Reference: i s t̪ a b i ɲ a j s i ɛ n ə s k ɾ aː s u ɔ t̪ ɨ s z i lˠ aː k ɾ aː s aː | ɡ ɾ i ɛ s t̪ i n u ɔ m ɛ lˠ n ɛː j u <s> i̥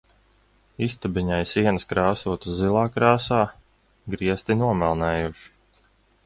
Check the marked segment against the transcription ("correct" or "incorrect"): incorrect